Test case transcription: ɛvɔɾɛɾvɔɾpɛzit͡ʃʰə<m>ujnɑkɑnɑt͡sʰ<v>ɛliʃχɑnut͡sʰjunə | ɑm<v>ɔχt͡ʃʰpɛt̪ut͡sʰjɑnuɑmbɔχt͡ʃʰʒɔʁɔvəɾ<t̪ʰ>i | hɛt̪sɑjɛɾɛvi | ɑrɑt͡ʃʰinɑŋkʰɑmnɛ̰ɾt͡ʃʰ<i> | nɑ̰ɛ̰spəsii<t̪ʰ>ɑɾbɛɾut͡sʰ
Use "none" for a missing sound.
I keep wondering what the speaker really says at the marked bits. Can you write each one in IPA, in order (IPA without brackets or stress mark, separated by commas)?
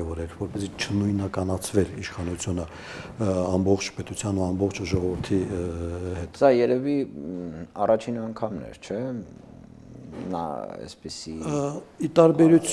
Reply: n, v, b, t̪ʰ, ɛ, t̪